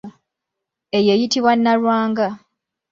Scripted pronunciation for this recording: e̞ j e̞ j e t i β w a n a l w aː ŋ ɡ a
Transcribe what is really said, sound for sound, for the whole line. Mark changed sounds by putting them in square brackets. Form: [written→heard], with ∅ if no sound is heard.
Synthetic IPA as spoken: e̞ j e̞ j [e→i] t i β w a [n→nː] a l w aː ŋ ɡ a